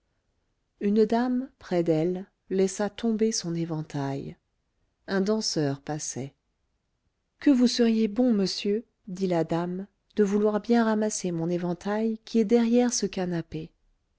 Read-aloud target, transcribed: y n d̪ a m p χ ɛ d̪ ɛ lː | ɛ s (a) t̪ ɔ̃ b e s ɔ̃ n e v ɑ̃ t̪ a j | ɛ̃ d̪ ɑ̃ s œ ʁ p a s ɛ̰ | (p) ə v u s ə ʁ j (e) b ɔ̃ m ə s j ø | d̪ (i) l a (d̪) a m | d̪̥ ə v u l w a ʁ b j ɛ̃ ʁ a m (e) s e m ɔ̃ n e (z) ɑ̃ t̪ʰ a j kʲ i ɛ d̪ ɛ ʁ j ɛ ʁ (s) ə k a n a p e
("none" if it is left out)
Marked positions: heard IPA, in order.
a, k, e, i, d̪, a, v, s

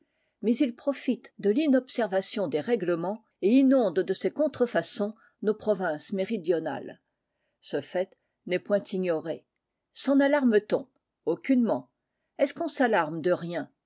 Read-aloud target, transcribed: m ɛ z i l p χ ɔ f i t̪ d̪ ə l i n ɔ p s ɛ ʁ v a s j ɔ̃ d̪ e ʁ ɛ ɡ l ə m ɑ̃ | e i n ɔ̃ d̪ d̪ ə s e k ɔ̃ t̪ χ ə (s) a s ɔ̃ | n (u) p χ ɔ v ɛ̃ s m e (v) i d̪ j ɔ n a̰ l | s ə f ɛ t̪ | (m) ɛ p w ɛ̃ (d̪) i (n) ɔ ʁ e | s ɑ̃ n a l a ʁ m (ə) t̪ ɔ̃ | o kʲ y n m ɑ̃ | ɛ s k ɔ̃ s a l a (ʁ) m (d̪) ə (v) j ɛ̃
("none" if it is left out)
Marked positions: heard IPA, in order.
f, o, ʁ, n, t̪, ɲ, ə, ʁ, d̪, ʁ

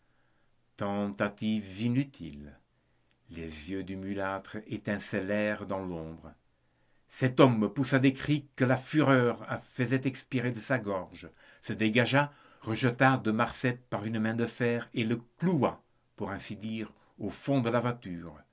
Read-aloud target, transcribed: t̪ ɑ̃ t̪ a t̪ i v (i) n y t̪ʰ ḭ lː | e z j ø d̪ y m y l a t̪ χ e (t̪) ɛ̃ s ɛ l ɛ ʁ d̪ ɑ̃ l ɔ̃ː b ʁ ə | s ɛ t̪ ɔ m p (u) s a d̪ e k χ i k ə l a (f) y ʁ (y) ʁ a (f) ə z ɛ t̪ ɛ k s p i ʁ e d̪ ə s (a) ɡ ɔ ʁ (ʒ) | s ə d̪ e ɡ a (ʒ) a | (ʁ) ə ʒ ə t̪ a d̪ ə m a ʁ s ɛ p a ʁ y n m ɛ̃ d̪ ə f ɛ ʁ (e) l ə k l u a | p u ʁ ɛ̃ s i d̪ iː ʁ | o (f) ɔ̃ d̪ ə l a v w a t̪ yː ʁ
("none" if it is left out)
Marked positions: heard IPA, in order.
i, t̪, u, f, œ, f, a, ʒ, ʒ, ʁ, e, f

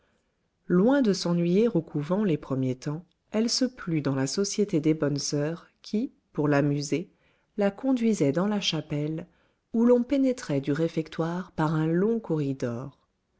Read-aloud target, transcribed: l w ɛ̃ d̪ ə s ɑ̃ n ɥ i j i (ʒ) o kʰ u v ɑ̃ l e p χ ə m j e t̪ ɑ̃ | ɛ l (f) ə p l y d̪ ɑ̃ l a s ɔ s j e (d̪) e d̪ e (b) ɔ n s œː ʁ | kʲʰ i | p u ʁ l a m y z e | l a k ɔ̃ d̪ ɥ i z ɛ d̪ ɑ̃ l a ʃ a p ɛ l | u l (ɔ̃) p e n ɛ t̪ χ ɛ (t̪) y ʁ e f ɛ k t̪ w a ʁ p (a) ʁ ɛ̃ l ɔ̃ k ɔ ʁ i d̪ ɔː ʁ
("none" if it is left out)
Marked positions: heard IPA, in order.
ʁ, s, t̪, b, ɔ̃, d̪, a

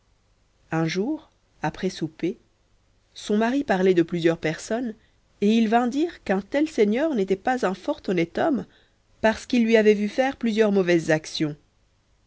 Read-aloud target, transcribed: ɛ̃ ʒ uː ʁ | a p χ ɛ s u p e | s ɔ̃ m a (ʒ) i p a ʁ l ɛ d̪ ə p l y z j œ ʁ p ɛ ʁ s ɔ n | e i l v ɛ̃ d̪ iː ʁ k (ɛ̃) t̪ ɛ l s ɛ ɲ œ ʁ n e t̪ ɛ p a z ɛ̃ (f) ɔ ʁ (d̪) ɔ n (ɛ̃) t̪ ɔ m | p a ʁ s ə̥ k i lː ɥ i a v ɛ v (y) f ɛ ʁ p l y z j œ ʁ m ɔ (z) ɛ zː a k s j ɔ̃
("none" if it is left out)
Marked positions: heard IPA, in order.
ʁ, ɛ̃, f, t̪, ɛ, y, v

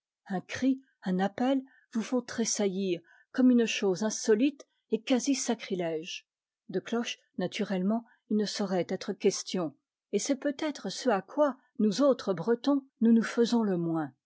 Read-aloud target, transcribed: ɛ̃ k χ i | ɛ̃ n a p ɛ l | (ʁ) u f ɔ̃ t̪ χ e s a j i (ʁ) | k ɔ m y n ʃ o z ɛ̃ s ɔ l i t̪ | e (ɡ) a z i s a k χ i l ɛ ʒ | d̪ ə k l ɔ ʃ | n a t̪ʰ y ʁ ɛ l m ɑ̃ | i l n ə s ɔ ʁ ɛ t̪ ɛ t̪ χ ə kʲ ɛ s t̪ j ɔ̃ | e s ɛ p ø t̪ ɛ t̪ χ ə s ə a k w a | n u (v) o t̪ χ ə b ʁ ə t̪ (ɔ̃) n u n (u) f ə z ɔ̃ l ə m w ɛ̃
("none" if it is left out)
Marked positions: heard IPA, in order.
v, ʁ, k, z, ɔ̃, u

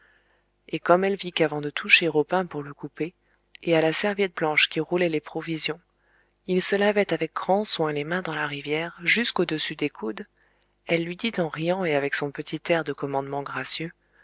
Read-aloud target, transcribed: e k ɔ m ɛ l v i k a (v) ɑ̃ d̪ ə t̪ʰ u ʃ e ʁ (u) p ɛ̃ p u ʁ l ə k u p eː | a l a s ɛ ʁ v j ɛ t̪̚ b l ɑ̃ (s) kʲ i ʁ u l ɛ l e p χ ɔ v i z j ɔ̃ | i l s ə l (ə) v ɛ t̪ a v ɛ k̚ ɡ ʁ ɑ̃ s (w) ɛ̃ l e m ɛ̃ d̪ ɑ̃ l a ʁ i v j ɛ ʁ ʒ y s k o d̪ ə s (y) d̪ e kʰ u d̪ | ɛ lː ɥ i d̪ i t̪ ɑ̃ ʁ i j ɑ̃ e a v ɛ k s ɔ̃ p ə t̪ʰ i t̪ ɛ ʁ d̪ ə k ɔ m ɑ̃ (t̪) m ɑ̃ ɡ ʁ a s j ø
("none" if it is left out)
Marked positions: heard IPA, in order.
v, o, ʃ, a, w, y, d̪

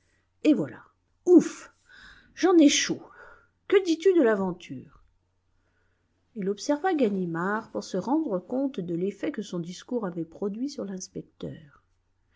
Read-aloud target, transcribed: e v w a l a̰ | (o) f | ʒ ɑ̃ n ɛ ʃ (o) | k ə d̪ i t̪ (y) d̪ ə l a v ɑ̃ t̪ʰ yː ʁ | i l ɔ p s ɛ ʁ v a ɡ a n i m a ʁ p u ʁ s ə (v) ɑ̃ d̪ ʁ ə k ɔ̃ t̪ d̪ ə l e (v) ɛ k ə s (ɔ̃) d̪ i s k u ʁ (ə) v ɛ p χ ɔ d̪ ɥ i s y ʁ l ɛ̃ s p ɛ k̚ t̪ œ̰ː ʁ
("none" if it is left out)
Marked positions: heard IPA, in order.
u, o, y, ʁ, f, ɔ̃, a

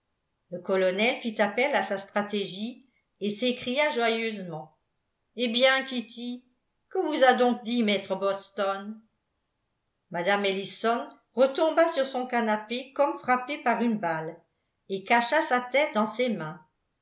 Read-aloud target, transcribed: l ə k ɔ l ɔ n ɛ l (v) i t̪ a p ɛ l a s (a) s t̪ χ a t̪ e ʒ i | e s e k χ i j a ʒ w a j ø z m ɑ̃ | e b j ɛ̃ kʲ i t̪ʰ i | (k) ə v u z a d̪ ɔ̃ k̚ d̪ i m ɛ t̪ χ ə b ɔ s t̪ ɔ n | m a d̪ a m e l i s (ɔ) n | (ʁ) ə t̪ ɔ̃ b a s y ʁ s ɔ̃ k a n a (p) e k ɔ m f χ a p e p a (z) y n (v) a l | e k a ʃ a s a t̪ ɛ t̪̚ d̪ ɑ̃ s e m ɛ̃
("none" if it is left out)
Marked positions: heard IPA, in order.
f, a, k, ɔ, ʁ, p, ʁ, b

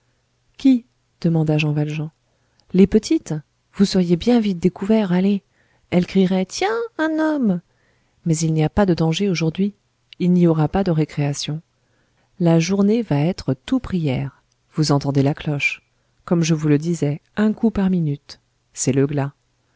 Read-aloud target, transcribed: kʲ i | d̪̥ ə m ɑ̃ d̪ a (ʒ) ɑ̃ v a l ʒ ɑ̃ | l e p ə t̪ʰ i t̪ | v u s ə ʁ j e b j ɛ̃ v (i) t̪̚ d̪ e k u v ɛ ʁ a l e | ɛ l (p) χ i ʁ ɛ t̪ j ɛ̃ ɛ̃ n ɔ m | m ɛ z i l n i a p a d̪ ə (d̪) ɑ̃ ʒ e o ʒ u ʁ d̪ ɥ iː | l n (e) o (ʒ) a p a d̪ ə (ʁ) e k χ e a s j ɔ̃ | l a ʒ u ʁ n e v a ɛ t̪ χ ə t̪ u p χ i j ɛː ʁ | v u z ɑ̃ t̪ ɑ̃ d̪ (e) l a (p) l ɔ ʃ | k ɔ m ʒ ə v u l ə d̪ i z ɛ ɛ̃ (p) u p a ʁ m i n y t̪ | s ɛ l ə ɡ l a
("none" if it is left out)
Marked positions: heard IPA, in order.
ʒ, i, k, d̪, i, ʁ, ʁ, e, k, k

